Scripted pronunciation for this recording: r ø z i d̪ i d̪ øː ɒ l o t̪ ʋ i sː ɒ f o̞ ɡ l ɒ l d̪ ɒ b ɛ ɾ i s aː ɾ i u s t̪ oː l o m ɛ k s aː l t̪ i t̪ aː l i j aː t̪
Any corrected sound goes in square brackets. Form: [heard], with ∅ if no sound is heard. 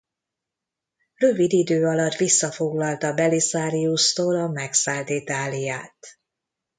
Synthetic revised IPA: r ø [v] i d̪ i d̪ øː ɒ l [ɒ] t̪ ʋ i sː ɒ f o̞ ɡ l ɒ l [t̪] ɒ b ɛ [l] i s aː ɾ i u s t̪ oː l [ɒ] m ɛ k s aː l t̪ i t̪ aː l i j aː t̪